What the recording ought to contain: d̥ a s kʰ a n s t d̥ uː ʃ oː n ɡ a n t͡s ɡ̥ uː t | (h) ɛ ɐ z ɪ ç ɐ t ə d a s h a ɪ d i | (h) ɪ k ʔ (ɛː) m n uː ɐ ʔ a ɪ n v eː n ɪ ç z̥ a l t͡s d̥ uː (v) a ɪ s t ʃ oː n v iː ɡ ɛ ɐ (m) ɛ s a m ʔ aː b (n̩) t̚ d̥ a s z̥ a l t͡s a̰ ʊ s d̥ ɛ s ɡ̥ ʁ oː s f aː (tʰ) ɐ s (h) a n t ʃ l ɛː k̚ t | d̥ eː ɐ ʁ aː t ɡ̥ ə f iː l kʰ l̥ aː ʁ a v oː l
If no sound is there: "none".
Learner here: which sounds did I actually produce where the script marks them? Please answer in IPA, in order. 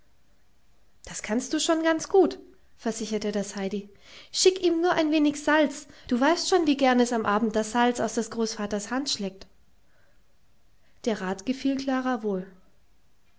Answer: f, ʃ, iː, v, n, m̩, t, h

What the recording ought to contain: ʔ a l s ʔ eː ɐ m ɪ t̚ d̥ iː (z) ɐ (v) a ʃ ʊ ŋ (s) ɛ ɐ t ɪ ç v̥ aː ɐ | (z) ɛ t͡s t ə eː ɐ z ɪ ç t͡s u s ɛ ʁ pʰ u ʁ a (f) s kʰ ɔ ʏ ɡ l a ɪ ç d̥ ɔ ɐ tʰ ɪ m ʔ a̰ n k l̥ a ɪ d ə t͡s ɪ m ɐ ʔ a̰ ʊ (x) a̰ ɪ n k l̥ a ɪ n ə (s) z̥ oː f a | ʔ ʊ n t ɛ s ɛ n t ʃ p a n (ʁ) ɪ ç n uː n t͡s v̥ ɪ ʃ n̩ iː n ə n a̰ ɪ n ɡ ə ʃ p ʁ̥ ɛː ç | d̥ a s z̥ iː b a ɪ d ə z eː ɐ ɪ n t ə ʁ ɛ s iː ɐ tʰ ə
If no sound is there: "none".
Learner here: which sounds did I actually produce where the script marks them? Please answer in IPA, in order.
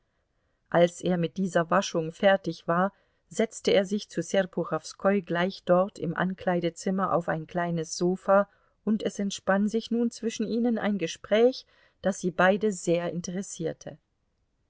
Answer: z, v, f, z, f, f, s, z

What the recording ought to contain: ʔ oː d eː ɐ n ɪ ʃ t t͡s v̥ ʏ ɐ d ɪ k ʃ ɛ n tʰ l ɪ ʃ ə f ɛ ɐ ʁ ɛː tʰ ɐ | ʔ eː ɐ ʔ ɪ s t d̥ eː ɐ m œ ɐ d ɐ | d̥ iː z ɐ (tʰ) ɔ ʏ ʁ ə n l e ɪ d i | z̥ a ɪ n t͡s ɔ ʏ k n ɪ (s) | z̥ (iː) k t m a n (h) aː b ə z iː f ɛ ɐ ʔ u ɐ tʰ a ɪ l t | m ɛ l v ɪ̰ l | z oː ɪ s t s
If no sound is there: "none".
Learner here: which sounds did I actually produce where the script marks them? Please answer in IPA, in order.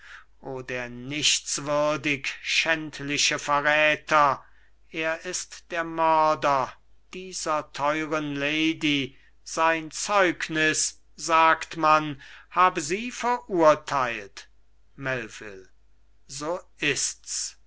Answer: tʰ, s, aː, h

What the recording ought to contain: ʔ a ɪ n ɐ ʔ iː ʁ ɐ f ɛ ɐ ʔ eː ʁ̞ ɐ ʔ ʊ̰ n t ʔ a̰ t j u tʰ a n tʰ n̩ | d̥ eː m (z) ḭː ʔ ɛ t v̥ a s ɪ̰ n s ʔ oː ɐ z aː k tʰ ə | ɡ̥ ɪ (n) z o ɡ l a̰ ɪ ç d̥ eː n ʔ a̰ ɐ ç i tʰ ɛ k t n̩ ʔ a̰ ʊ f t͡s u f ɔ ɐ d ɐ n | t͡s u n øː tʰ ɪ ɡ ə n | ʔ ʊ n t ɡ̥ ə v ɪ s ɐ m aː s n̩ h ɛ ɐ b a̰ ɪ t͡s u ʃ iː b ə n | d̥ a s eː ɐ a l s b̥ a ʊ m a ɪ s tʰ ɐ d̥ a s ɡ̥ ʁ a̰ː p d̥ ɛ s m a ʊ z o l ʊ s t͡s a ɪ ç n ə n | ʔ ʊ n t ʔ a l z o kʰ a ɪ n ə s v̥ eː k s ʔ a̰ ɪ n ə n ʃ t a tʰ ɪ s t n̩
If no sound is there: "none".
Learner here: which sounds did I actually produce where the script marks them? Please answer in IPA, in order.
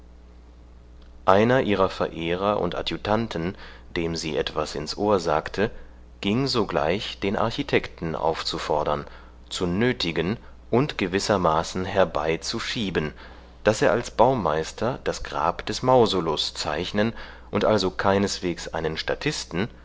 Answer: z, ŋ

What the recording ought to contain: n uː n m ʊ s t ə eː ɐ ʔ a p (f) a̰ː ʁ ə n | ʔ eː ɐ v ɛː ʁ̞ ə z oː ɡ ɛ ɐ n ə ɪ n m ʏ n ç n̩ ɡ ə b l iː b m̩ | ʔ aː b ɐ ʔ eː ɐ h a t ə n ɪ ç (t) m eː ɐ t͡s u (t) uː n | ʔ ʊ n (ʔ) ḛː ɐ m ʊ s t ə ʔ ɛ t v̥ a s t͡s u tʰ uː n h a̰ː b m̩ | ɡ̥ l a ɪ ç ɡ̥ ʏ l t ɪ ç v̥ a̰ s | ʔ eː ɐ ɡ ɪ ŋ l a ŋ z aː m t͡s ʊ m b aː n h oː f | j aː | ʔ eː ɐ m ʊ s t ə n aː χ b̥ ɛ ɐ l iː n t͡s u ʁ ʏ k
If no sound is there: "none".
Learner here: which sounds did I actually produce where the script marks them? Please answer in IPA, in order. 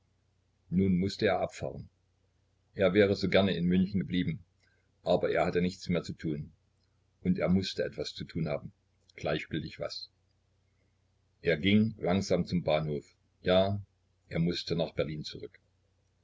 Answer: f, t͡s, tʰ, t

